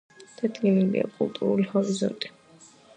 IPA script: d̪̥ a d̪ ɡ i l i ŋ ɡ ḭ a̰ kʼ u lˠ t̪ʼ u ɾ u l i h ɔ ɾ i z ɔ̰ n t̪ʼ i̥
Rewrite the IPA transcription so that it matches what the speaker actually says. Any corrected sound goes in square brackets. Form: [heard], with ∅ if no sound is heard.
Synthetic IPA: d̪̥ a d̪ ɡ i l i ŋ ɡ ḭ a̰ kʼ u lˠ t̪ʼ u ɾ u l i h ɔ ɾ i z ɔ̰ n t̪ʼ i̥